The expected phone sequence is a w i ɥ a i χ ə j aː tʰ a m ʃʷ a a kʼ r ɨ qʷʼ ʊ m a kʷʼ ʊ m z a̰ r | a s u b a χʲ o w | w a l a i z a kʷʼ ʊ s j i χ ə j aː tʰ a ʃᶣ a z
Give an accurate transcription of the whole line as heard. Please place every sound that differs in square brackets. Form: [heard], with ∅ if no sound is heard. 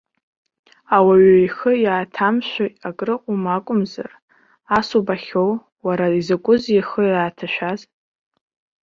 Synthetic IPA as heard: a w [a] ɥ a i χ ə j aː tʰ a m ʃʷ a a kʼ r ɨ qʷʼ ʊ m a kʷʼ ʊ m z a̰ r | a s u b a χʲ o w | w a [ɾ] a i z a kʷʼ ʊ [z] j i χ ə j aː tʰ a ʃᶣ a z

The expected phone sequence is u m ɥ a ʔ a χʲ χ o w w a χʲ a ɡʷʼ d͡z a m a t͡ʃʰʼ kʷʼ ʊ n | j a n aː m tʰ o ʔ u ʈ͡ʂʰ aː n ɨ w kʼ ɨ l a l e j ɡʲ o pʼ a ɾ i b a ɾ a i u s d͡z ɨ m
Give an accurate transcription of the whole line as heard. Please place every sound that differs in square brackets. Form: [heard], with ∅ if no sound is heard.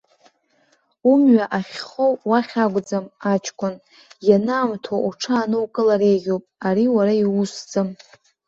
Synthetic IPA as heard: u m ɥ a ʔ a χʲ χ o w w a χʲ a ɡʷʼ d͡z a m a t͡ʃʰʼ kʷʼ ʊ n | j a n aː m tʰ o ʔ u ʈ͡ʂʰ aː n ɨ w kʼ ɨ l a [ɾ] e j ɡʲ o pʼ a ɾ i [w] a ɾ a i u s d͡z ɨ m

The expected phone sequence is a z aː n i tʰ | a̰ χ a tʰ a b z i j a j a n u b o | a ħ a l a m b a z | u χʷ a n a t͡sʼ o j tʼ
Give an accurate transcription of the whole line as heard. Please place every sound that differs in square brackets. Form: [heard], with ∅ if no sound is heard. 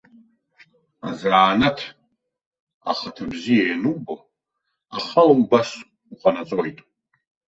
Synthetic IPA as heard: a z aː n [a] tʰ | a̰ χ a tʰ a b z i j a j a n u b o | a [χ] a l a m b a [s] | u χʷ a n a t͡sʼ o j tʼ

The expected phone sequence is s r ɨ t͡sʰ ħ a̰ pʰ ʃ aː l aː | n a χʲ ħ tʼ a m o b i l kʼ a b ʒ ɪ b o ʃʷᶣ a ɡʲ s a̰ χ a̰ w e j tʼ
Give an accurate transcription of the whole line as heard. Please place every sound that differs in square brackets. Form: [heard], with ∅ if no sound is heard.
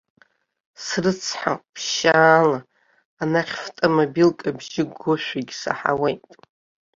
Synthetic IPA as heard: s r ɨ t͡sʰ ħ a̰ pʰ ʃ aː l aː | n a χʲ [f] tʼ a m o b i l kʼ a b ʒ ɪ [ɡ] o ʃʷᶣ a ɡʲ s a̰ [ħ] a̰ w e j tʼ

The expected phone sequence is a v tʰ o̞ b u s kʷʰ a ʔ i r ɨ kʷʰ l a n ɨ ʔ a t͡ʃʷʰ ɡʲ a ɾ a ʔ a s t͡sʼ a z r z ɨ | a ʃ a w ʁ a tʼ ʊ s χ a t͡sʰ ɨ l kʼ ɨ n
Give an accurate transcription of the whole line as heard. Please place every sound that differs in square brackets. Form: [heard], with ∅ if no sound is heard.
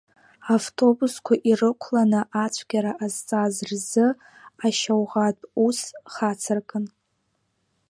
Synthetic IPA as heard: a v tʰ o̞ b u s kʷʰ a ʔ i r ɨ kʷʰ l a n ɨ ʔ a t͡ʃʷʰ ɡʲ a ɾ a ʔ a [z] t͡sʼ a z r z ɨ | a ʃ a w ʁ a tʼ [u] s χ a t͡sʰ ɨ [r] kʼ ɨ n

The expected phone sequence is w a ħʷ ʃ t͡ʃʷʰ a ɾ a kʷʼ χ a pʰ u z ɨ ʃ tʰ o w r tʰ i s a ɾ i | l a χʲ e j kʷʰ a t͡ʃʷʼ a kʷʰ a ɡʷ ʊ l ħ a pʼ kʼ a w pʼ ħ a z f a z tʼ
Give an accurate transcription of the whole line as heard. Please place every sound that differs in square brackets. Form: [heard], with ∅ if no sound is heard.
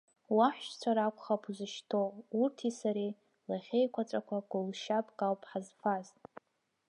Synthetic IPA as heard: w a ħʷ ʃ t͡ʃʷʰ a ɾ a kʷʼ χ a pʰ u z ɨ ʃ tʰ o [u] r tʰ i s a ɾ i | l a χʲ e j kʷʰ a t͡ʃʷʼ a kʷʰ a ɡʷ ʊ l [ʃ] a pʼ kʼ a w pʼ ħ a z f a z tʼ

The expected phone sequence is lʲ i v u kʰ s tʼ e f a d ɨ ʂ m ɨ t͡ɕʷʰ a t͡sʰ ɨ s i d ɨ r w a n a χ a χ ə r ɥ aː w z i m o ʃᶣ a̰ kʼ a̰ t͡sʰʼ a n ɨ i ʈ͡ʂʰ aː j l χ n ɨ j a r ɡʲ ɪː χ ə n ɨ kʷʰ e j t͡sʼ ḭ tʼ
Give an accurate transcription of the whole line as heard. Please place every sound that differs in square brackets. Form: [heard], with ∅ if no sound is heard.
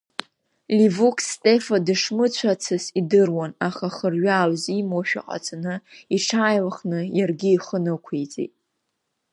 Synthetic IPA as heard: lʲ i v u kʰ s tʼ e f a d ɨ ʂ m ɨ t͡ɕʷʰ a t͡sʰ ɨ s i d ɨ r w a n a χ a χ ə r ɥ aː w z i m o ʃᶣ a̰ [qʼ] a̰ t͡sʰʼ a n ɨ i ʈ͡ʂʰ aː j l χ n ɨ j a r ɡʲ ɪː χ ə n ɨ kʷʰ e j t͡sʼ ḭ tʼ

